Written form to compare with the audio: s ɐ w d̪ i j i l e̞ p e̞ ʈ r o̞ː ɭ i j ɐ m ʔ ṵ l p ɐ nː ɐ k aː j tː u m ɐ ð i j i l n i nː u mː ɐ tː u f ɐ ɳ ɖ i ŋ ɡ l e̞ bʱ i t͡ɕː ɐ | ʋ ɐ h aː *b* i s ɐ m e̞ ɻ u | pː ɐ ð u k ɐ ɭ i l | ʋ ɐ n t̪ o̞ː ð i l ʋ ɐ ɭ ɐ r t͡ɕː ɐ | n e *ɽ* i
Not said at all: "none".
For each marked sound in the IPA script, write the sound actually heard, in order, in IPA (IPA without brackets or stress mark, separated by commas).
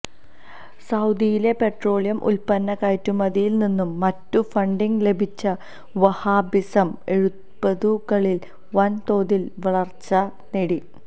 b, ɽ